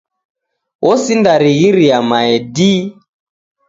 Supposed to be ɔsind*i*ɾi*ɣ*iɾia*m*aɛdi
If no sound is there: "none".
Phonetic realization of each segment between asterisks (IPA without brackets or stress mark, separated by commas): a, ɣ, m